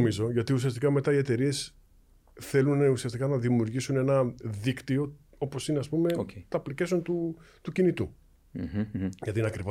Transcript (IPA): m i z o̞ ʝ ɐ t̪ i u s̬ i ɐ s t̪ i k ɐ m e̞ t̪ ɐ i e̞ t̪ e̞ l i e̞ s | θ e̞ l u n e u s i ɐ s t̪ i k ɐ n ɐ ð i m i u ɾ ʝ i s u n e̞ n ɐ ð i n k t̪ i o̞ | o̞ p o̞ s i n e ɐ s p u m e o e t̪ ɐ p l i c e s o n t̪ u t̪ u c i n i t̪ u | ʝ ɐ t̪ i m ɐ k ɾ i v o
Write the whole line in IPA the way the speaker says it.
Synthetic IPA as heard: m i z o̞ ʝ ɐ t̪ i u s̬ i ɐ s t̪ i k ɐ m e̞ t̪ ɐ i e̞ t̪ e̞ ɾ i e̞ s | θ e̞ l u n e u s i ɐ s t̪ i k ɐ n ɐ ð i m i u ɾ ʝ i s u n e̞ n ɐ ð i k t̪ i o̞ | o̞ p o̞ s i n e ɐ s p u m e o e t̪ ɐ p l i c e s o n t̪ u t̪ u c i n i t̪ u | ʝ ɐ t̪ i n ɐ k ɾ i v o